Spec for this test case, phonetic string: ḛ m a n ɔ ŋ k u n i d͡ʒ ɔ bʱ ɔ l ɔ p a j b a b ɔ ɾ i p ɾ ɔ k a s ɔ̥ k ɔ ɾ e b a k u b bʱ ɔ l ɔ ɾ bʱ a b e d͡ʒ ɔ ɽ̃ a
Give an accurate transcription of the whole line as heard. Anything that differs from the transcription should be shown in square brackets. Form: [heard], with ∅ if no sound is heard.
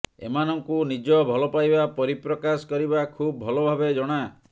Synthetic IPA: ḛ m a n ɔ ŋ k u n i d͡ʒ ɔ bʱ ɔ l ɔ p a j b a [p] ɔ ɾ i p ɾ ɔ k a s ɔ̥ k ɔ ɾ [i] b a [kʰ] u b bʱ ɔ l ɔ [∅] bʱ a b e d͡ʒ ɔ ɽ̃ a